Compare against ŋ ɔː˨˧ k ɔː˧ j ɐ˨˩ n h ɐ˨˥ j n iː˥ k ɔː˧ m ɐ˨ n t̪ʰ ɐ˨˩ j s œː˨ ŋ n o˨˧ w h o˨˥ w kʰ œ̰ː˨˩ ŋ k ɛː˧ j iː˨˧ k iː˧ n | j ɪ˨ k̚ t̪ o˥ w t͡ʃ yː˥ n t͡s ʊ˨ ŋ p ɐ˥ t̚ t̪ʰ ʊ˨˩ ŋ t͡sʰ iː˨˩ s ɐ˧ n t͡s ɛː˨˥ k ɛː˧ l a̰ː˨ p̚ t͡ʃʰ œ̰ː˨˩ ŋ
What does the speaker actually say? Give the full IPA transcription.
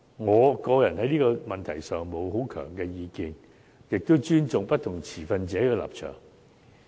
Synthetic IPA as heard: ŋ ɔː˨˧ k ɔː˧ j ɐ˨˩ n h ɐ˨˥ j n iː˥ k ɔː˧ m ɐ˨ n t̪ʰ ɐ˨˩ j s œː˨ ŋ m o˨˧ w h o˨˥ w kʰ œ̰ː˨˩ ŋ k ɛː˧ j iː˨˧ k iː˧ n | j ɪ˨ k̚ t̪ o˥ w t͡ʃ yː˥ n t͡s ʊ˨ ŋ p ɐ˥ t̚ t̪ʰ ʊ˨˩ ŋ t͡sʰ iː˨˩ f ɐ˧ n t͡s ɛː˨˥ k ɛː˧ l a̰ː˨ p̚ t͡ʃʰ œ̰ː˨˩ ŋ